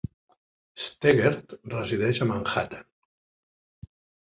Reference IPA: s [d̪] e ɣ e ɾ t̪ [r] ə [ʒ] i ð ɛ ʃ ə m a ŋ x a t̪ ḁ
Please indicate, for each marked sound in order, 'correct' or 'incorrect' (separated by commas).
incorrect, correct, incorrect